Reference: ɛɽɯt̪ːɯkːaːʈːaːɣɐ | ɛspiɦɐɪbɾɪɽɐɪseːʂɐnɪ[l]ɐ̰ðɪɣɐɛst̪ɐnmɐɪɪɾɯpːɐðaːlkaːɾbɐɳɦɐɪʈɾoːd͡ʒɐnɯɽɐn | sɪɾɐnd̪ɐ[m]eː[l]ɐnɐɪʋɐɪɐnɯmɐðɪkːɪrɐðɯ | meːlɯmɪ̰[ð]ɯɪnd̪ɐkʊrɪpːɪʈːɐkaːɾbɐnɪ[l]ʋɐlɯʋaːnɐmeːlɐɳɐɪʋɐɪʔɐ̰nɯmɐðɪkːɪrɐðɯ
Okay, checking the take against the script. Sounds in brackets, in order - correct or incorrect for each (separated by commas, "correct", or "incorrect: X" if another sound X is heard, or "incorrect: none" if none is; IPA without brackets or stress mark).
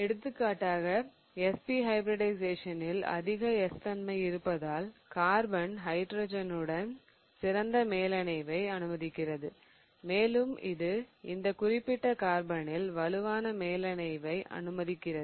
correct, correct, correct, correct, correct